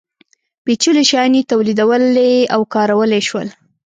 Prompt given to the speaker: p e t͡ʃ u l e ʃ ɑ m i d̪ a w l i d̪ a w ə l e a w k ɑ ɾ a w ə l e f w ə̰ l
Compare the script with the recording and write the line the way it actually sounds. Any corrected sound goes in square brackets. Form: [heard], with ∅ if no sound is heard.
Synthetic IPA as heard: p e t͡ʃ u l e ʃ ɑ [n] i [t̪] a w l i d̪ a w ə l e a w k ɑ ɾ a w ə l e [ʃ] w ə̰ l